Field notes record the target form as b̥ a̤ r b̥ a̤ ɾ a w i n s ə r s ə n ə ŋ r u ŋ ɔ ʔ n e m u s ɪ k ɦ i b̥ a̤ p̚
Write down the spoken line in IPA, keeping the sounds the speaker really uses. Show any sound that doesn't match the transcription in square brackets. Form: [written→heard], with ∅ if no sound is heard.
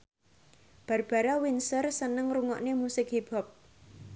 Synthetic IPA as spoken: b̥ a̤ r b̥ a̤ ɾ a w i n s ə r s ə n ə ŋ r u ŋ ɔ ʔ n e m u s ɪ k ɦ i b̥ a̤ p̚